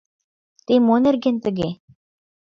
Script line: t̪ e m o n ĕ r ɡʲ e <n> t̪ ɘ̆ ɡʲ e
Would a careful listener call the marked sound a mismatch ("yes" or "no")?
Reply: no